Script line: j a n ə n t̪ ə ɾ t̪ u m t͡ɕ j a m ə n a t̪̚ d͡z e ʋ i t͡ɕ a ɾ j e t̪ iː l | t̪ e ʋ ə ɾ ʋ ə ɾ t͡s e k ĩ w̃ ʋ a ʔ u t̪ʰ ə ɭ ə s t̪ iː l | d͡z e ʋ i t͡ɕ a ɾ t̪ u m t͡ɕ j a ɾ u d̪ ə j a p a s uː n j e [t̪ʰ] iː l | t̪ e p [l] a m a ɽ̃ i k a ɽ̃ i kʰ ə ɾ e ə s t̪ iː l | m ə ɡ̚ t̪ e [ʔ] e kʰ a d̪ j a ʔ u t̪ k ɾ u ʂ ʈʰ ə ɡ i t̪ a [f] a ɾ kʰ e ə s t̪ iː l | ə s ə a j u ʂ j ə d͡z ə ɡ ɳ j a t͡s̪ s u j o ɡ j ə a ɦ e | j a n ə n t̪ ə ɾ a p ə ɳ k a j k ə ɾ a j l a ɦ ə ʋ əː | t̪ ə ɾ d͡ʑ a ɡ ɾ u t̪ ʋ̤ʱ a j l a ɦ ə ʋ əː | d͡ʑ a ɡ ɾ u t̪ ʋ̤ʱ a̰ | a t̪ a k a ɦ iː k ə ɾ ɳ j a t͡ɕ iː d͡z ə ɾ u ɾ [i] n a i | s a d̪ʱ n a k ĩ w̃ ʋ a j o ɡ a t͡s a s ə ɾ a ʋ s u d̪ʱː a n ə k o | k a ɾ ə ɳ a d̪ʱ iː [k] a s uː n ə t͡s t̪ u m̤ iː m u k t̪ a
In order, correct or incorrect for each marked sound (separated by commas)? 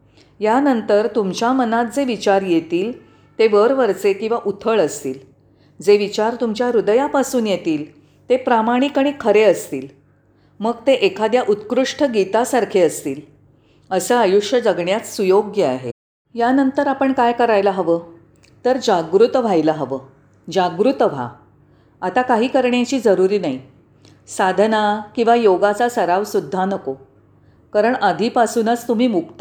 incorrect, incorrect, correct, incorrect, incorrect, incorrect